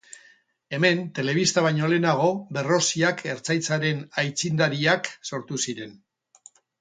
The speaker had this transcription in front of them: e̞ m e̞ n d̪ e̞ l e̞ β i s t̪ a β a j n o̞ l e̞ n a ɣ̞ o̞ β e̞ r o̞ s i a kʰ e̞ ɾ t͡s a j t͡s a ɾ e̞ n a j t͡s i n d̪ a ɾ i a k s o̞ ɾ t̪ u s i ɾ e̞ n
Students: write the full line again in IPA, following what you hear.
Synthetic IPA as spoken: e̞ m e̞ n t̪ e̞ l e̞ β i s t̪ a β a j ɲ o̞ l e̞ n a ɣ̞ o̞ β e̞ r o̞ s i a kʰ e̞ ɾ t͡s a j t͡s a ɾ e̞ n a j t͡s i n d̪ a ɾ i a k s o̞ ɾ t̪ u s i ɾ e̞ n